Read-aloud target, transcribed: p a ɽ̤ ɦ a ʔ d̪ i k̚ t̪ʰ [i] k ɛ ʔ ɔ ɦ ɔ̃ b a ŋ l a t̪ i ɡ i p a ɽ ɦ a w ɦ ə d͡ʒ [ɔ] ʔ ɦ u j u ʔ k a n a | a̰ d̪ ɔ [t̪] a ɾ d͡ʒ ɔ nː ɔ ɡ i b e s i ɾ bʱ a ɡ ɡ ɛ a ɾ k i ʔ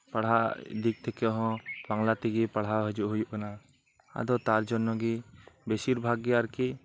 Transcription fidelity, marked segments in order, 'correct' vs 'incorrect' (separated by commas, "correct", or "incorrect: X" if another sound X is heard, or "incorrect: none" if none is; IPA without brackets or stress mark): incorrect: ɛ, incorrect: u, correct